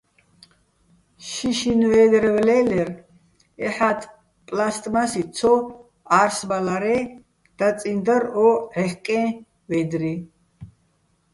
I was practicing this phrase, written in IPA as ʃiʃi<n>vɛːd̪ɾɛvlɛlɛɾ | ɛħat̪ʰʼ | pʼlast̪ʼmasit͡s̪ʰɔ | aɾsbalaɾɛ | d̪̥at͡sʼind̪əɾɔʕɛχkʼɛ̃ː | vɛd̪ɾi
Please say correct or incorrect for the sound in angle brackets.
correct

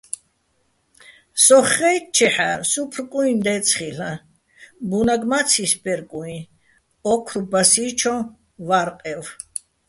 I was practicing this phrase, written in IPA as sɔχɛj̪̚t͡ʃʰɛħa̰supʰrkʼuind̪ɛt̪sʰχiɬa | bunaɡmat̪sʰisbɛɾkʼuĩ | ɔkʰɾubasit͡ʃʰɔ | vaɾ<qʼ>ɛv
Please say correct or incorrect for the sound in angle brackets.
correct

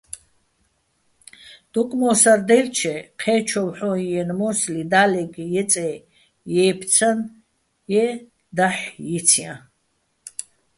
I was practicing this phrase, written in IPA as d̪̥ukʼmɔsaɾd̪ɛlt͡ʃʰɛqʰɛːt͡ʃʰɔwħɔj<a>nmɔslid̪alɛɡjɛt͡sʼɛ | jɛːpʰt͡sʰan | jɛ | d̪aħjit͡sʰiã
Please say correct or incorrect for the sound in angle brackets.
incorrect: ɛ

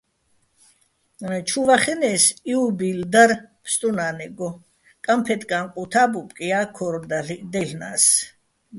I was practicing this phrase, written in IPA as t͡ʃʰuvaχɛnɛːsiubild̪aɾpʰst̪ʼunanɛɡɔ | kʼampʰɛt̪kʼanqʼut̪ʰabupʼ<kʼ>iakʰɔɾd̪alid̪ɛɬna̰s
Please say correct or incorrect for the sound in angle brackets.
correct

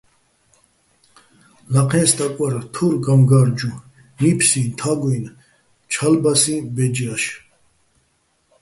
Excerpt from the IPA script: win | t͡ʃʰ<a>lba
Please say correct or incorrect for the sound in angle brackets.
correct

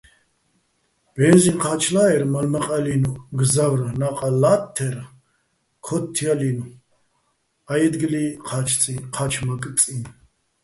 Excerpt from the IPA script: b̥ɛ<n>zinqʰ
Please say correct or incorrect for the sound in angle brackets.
correct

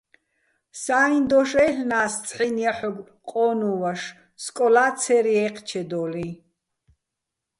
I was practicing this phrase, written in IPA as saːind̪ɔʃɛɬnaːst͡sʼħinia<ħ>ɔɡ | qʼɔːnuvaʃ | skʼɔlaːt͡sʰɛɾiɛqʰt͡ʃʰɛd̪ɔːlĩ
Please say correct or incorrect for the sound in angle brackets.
correct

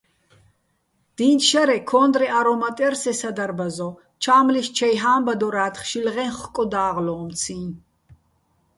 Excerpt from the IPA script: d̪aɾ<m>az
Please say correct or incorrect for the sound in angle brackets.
incorrect: b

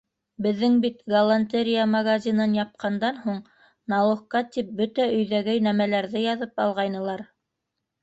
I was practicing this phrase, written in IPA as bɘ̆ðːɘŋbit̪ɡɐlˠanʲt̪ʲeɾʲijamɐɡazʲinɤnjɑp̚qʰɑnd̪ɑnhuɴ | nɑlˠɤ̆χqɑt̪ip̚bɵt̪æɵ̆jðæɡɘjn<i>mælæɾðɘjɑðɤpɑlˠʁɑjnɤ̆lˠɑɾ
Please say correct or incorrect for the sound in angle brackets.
incorrect: æ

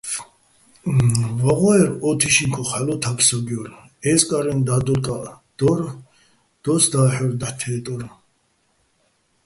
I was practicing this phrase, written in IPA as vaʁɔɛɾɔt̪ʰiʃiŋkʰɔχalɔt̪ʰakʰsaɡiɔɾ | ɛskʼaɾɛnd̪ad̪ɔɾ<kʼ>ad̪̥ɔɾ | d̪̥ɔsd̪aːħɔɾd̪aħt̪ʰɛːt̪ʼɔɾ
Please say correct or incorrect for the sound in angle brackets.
correct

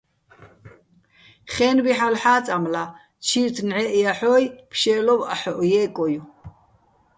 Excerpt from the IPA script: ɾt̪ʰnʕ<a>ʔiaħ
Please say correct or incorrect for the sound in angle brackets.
incorrect: ɛ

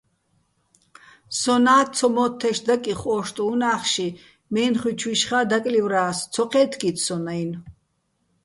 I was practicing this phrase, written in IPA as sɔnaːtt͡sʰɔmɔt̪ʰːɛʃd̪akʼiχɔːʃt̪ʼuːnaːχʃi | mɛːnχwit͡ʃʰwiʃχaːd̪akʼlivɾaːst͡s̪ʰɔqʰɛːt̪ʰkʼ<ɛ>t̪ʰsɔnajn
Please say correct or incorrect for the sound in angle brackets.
incorrect: i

